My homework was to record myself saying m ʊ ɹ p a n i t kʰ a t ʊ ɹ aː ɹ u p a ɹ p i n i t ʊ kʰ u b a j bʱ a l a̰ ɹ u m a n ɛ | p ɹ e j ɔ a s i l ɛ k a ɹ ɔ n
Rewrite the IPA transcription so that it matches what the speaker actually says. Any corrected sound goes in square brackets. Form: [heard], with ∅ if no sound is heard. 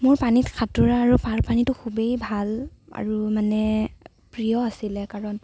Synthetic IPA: m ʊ ɹ p a n i t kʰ a t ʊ ɹ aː ɹ u p a ɹ p [a] n i t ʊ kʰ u b [e] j bʱ a l a̰ ɹ u m a n ɛ | p ɹ [i] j ɔ a s i l ɛ k a ɹ ɔ n